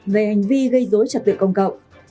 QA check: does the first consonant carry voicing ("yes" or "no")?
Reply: yes